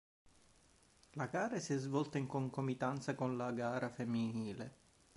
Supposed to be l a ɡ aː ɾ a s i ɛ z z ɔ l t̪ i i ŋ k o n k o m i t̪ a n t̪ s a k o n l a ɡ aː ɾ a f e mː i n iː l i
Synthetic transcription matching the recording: l a ɡ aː ɾ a s i ɛ z v ɔ l t̪ a i ŋ k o ŋ k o m i t̪ a n t̪ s a k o n l a ɡ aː ɾ a f e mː i n iː l e